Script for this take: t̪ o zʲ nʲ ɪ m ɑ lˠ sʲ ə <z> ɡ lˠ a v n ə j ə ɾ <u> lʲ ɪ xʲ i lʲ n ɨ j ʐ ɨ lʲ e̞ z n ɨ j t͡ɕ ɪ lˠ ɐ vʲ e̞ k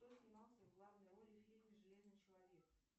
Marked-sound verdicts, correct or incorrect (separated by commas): incorrect, incorrect